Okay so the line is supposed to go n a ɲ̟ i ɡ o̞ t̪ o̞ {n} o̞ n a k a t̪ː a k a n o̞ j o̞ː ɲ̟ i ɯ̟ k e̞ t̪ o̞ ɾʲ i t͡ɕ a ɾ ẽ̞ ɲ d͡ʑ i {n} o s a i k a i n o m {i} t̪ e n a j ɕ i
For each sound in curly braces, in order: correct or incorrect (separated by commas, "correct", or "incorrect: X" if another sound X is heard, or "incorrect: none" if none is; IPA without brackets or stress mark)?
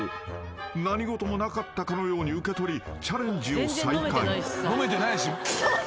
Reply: incorrect: m, incorrect: none, incorrect: e